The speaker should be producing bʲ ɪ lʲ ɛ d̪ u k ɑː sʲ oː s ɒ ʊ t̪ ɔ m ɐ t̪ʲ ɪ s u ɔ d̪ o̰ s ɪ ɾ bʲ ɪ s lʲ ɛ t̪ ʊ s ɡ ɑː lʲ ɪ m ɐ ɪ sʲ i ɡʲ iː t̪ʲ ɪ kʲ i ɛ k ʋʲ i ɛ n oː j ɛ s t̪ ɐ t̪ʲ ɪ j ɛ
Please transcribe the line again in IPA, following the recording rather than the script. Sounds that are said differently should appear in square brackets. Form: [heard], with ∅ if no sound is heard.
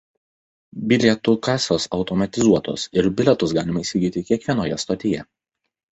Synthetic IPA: bʲ ɪ lʲ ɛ [t̪] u k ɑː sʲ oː s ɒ ʊ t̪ ɔ m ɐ t̪ʲ ɪ [z] u ɔ [t̪] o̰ s ɪ ɾ bʲ ɪ [∅] lʲ ɛ t̪ ʊ s ɡ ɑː lʲ ɪ m ɐ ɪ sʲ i ɡʲ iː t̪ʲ ɪ kʲ i ɛ k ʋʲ i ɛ n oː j ɛ s t̪ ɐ t̪ʲ ɪ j ɛ